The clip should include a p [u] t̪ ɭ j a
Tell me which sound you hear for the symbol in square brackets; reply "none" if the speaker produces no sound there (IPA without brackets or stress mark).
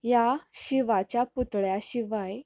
u